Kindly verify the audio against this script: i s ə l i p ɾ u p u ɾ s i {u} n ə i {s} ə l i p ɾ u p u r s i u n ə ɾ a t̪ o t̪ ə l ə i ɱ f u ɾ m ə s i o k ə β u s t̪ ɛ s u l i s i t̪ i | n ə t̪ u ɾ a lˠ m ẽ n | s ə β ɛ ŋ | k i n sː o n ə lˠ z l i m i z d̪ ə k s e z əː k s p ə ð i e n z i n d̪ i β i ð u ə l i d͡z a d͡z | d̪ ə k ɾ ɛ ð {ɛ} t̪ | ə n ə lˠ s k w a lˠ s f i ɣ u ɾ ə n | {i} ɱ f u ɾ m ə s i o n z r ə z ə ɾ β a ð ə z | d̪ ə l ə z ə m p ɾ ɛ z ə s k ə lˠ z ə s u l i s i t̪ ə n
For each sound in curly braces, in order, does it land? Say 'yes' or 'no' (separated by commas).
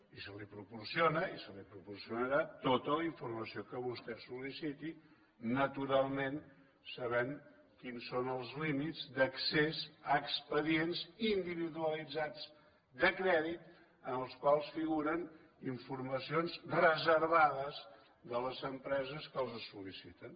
no, yes, no, yes